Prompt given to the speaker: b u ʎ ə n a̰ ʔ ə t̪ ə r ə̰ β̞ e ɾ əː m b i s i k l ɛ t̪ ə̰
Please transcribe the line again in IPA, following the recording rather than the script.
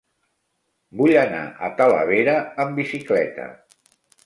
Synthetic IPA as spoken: b u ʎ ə n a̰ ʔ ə t̪ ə l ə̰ β̞ e ɾ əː m b i s i k l ɛ t̪ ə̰